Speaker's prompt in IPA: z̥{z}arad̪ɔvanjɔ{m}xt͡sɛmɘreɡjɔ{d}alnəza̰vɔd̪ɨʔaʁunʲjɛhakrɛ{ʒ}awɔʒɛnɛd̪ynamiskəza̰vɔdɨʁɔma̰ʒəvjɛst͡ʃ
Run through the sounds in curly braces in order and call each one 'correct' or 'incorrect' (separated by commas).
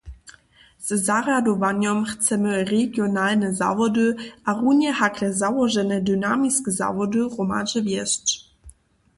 correct, correct, incorrect, incorrect